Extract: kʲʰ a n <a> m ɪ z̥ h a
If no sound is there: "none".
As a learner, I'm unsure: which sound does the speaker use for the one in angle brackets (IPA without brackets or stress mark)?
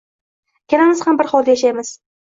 a